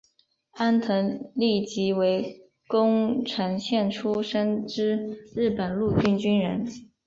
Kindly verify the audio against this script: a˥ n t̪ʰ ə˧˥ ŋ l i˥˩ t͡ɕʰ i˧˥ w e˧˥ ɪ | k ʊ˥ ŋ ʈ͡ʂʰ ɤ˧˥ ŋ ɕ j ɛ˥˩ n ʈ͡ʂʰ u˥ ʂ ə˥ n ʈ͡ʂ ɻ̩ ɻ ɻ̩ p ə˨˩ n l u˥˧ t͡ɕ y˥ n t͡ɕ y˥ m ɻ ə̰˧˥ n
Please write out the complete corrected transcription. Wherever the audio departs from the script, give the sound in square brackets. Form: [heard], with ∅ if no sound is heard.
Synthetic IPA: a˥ n t̪ʰ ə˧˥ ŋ l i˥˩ [t͡ɕ] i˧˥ w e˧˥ ɪ | k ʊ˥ ŋ ʈ͡ʂʰ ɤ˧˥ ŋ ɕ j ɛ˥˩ n ʈ͡ʂʰ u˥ ʂ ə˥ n ʈ͡ʂ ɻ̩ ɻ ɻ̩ p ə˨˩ n l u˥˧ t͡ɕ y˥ n t͡ɕ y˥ [n] ɻ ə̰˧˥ n